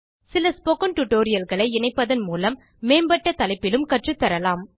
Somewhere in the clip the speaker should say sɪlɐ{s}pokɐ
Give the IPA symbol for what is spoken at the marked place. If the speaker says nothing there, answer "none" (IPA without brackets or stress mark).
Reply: s